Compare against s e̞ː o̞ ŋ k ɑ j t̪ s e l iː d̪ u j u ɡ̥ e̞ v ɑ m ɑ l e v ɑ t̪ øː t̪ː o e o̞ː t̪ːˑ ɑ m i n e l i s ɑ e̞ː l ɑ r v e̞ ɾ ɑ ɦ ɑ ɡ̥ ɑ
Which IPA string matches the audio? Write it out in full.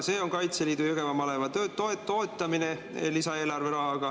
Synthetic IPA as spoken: s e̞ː o̞ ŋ k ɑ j t̪ s e l iː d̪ u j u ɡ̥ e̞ v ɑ m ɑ l e v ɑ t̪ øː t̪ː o e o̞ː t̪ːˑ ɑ m i n e l i s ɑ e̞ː l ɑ r v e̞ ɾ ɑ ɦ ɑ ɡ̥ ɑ